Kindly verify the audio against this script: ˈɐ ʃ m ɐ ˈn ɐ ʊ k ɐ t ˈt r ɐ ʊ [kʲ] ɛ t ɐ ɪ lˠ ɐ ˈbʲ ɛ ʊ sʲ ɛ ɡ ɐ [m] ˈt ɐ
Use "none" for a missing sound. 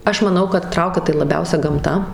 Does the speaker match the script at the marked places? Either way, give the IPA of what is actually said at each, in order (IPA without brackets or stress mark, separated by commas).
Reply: kʲ, m